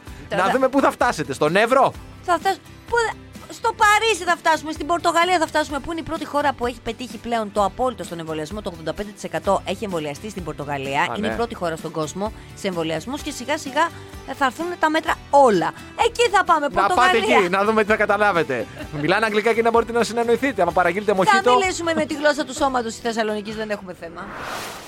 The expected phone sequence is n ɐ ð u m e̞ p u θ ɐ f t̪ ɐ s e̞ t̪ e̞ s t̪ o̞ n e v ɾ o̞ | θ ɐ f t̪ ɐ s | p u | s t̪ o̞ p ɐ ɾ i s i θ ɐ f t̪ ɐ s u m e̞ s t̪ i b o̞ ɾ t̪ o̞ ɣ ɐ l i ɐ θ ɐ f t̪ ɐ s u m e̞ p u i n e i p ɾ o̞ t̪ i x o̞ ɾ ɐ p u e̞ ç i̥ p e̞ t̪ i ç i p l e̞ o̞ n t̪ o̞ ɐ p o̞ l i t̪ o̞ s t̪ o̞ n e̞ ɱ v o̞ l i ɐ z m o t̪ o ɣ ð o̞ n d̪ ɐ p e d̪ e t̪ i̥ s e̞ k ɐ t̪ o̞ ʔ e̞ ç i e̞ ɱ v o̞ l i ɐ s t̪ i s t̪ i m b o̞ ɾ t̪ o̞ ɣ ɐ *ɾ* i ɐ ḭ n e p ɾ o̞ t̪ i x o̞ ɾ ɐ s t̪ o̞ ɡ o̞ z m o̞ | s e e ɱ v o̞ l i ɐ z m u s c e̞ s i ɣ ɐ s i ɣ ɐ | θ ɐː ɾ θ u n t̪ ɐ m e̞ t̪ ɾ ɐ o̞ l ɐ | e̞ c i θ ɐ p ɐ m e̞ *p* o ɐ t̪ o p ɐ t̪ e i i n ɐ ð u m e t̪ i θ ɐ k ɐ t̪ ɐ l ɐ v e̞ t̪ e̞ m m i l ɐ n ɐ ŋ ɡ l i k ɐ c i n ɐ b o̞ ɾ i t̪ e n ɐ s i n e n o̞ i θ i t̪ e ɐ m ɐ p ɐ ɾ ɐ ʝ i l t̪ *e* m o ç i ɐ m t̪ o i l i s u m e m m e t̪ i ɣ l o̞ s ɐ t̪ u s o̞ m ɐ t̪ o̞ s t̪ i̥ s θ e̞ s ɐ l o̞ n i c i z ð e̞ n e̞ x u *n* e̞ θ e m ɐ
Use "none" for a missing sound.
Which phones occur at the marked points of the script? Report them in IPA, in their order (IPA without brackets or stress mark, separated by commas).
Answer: l, p, e, m